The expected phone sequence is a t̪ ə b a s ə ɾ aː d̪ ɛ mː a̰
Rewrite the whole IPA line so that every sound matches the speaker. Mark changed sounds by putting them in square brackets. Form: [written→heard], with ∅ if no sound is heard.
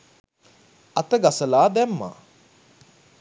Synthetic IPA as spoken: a t̪ ə [b→ɡ] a s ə [ɾ→l] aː d̪ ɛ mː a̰